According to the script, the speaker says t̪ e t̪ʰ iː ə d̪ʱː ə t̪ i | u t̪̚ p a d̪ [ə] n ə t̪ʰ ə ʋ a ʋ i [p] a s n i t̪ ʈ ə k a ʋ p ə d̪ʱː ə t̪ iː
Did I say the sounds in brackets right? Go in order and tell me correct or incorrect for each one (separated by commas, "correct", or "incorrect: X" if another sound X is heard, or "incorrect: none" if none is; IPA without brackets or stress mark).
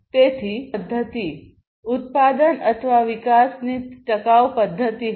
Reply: correct, incorrect: k